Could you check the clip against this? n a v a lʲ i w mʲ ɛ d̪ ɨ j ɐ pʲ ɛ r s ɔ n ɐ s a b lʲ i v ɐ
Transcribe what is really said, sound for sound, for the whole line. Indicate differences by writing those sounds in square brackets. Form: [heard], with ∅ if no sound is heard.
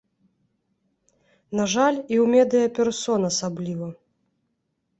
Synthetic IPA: n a [ʐ] a lʲ i w mʲ ɛ d̪ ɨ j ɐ pʲ ɛ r s ɔ n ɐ s a b lʲ i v ɐ